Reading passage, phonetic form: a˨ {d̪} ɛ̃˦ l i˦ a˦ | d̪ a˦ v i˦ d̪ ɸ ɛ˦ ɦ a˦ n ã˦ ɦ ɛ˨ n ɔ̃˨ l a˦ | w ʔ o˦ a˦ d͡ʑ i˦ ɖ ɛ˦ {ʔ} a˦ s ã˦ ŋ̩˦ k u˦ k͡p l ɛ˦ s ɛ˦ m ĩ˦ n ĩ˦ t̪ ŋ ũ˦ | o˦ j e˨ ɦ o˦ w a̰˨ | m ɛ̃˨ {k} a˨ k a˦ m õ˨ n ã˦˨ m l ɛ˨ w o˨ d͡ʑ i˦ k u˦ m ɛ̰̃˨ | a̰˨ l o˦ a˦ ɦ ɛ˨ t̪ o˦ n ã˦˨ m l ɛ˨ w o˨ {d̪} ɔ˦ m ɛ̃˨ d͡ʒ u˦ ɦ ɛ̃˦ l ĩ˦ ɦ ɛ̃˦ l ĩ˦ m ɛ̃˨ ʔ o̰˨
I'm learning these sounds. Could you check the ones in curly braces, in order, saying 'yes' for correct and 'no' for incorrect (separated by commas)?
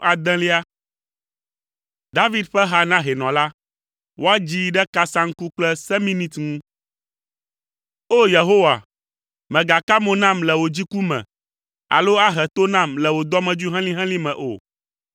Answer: yes, no, no, yes